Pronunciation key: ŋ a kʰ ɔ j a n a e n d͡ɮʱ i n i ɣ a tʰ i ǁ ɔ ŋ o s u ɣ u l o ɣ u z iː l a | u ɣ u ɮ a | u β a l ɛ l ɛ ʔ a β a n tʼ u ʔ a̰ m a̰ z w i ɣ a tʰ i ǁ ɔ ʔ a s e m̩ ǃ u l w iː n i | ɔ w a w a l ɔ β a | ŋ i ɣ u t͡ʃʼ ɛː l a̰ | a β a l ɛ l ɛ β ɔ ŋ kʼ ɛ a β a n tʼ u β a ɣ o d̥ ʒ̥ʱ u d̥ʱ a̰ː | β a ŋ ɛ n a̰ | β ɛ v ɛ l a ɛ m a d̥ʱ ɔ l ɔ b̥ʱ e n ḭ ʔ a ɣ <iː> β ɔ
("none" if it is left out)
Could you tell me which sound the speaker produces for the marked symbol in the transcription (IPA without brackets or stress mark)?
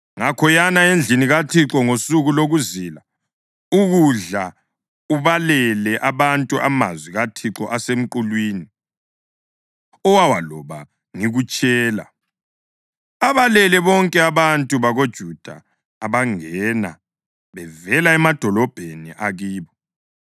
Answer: iː